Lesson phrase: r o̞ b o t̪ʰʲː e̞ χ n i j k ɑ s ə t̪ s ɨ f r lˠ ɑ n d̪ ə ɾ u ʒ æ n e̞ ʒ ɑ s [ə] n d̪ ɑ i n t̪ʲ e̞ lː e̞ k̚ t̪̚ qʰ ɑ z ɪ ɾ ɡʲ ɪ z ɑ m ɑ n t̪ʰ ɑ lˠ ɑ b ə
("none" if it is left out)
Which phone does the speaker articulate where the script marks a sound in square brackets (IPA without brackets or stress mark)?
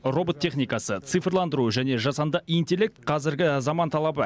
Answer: ɑ